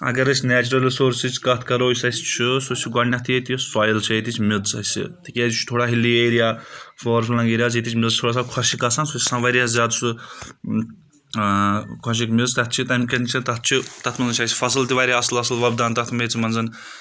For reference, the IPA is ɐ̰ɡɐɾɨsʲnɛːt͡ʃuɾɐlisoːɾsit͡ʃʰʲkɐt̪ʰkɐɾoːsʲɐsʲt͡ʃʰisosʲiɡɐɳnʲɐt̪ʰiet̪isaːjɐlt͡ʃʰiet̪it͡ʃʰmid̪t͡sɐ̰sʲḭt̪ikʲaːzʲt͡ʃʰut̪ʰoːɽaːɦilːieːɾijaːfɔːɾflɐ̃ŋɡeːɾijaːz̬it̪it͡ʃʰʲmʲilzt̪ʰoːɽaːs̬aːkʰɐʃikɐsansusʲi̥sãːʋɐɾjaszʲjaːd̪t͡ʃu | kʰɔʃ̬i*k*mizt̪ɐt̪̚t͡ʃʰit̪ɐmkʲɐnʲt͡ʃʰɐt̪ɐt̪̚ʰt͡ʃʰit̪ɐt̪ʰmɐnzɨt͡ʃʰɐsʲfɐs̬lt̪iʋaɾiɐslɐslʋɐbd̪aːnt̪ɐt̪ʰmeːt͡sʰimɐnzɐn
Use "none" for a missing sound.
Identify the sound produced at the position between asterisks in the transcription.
k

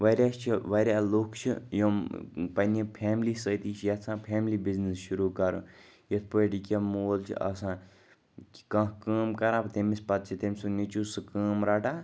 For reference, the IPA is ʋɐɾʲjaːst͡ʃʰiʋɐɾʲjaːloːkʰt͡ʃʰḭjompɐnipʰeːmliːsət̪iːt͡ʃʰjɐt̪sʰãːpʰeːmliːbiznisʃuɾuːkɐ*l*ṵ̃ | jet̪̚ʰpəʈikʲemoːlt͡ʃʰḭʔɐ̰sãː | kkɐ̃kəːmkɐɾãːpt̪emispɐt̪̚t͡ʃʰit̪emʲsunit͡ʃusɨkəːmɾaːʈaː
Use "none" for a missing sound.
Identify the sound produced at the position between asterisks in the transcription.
ɾ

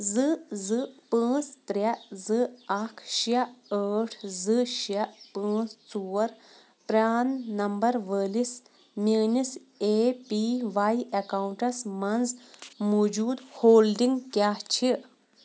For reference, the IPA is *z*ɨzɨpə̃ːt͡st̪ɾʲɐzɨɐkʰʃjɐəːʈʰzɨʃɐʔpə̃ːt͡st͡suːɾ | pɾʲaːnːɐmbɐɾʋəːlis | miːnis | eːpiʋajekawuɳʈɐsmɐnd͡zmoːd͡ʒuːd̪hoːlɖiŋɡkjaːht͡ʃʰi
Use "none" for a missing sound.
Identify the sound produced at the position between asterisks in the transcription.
z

